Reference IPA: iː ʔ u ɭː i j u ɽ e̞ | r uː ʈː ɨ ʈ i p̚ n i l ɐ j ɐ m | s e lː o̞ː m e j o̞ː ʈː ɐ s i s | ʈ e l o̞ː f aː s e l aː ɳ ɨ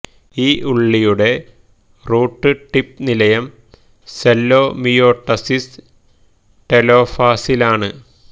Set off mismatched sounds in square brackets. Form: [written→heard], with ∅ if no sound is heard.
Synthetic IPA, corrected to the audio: iː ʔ u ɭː i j u ɽ e̞ | r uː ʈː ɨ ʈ i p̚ n i l ɐ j ɐ m | s e lː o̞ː m [e→i] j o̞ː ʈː ɐ s i s | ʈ e l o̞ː f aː s [e→i] l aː ɳ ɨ

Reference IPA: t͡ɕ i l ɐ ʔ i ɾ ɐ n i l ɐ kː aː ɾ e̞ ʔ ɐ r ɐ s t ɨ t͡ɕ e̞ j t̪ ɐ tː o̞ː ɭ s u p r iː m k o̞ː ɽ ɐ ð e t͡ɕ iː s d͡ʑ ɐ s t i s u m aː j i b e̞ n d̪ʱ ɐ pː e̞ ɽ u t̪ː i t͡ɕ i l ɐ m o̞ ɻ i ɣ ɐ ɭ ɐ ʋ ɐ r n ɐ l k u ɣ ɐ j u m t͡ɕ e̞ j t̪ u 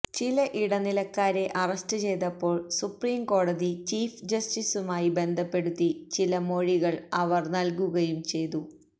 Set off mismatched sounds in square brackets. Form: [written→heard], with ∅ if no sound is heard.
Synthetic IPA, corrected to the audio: t͡ɕ i l ɐ ʔ i [ɾ→ɽ] ɐ n i l ɐ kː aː ɾ e̞ ʔ ɐ r ɐ s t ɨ t͡ɕ e̞ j t̪ ɐ [tː→pː] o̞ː ɭ s u p r iː m k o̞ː ɽ ɐ ð [e→i] t͡ɕ iː [s→f] d͡ʑ ɐ s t i s u m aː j i b e̞ n d̪ʱ ɐ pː e̞ ɽ u t̪ː i t͡ɕ i l ɐ m o̞ ɻ i ɣ ɐ ɭ ɐ ʋ ɐ r n ɐ l k u ɣ ɐ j u m t͡ɕ e̞ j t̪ u

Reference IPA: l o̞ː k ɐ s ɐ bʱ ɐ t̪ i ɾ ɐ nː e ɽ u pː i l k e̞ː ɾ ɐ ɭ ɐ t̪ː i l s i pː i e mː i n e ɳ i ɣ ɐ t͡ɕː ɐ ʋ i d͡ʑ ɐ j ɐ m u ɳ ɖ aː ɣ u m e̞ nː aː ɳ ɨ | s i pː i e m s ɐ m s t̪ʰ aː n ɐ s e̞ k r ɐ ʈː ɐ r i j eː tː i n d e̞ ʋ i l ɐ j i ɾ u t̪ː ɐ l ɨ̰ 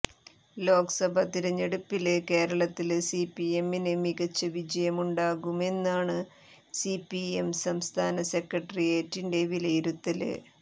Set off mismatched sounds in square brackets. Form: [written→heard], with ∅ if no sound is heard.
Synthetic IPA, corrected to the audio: l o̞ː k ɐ s ɐ bʱ ɐ t̪ i ɾ ɐ [nː→ɲː] e ɽ u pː i l k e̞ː ɾ ɐ ɭ ɐ t̪ː i l s i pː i e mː i n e [ɳ→m] i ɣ ɐ t͡ɕː ɐ ʋ i d͡ʑ ɐ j ɐ m u ɳ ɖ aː ɣ u m e̞ nː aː ɳ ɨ | s i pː i e m s ɐ m s t̪ʰ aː n ɐ s e̞ k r ɐ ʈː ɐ r i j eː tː i n d e̞ ʋ i l ɐ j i ɾ u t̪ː ɐ l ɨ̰

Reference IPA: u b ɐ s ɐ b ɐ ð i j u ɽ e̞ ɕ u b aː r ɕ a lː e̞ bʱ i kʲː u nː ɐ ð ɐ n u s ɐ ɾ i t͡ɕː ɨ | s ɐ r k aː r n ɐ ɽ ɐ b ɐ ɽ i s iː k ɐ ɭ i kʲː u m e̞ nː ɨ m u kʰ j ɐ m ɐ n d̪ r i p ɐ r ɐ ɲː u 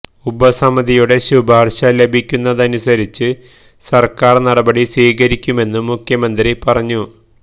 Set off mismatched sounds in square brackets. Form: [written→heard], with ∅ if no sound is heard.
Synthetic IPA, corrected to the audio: u b ɐ s ɐ [b→m] ɐ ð i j u ɽ e̞ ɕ u b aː r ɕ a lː e̞ bʱ i kʲː u nː ɐ ð ɐ n u s ɐ ɾ i t͡ɕː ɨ | s ɐ r k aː r n ɐ ɽ ɐ b ɐ ɽ i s iː k ɐ [ɭ→ɾ] i kʲː u m e̞ nː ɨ m u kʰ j ɐ m ɐ n d̪ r i p ɐ r ɐ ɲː u

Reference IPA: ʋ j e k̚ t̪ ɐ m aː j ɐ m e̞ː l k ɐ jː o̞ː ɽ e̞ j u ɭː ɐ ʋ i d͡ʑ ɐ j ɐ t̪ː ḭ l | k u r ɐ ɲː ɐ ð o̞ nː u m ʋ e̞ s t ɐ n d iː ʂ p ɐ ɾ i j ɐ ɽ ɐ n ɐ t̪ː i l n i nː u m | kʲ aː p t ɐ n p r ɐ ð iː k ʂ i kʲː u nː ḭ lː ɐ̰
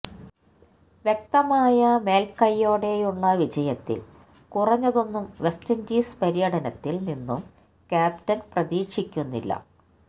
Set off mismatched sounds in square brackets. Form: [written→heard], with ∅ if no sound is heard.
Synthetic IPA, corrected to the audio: ʋ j e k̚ t̪ ɐ m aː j ɐ m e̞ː l k ɐ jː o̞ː ɽ e̞ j u ɭː ɐ ʋ i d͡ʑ ɐ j ɐ t̪ː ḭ l | k u r ɐ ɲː ɐ ð o̞ nː u m ʋ e̞ s t ɐ n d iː [ʂ→s] p ɐ ɾ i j ɐ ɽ ɐ n ɐ t̪ː i l n i nː u m | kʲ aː p t ɐ n p r ɐ ð iː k ʂ i kʲː u nː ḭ lː ɐ̰

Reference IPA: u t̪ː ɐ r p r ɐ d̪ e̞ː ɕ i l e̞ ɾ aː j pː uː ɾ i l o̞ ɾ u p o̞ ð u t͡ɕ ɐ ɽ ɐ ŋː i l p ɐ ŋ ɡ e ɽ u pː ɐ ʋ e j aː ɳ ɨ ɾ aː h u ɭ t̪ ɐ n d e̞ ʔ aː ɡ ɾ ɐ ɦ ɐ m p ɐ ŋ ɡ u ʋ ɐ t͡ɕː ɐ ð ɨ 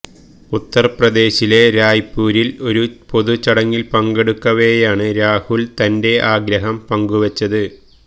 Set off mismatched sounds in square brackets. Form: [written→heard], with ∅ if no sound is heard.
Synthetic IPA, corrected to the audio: u t̪ː ɐ r p r ɐ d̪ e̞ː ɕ i l e̞ ɾ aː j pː uː ɾ i l o̞ ɾ u p o̞ ð u t͡ɕ ɐ ɽ ɐ ŋː i l p ɐ ŋ ɡ e ɽ u [pː→kː] ɐ ʋ e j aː ɳ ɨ ɾ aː h u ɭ t̪ ɐ n d e̞ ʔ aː ɡ ɾ ɐ ɦ ɐ m p ɐ ŋ ɡ u ʋ ɐ t͡ɕː ɐ ð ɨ

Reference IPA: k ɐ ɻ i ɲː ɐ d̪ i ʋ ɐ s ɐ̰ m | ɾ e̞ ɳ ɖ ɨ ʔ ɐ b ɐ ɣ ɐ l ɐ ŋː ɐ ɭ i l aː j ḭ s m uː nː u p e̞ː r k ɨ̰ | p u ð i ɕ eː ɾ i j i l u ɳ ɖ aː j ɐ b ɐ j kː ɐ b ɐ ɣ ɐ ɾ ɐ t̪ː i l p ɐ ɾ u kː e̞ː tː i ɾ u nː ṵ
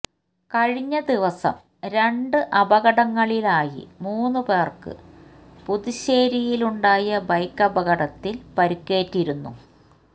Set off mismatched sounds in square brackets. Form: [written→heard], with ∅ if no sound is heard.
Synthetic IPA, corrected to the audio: k ɐ ɻ i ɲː ɐ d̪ i ʋ ɐ s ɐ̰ m | ɾ e̞ ɳ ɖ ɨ ʔ ɐ b ɐ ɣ ɐ [l→ɽ] ɐ ŋː ɐ ɭ i l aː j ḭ [s→∅] m uː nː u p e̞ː r k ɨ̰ | p u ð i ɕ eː ɾ i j i l u ɳ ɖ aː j ɐ b ɐ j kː ɐ b ɐ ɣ ɐ [ɾ→ɽ] ɐ t̪ː i l p ɐ ɾ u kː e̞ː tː i ɾ u nː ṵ

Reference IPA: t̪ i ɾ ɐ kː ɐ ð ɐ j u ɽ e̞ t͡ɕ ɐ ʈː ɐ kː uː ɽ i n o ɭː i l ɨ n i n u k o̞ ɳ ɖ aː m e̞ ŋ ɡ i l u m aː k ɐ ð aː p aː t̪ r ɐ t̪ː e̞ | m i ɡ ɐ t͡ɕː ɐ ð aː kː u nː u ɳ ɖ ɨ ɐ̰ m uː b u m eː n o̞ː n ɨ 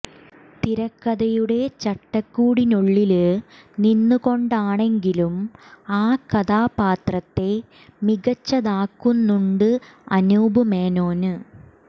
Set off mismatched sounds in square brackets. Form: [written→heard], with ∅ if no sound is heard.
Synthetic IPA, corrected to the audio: t̪ i ɾ ɐ kː ɐ ð ɐ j u ɽ e̞ t͡ɕ ɐ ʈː ɐ kː uː ɽ i n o ɭː i l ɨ n i [n→nː] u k o̞ ɳ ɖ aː [m→ɳ] e̞ ŋ ɡ i l u m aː k ɐ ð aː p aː t̪ r ɐ t̪ː e̞ | m i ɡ ɐ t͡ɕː ɐ ð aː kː u nː u ɳ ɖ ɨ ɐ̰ [m→n] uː b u m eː n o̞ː n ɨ

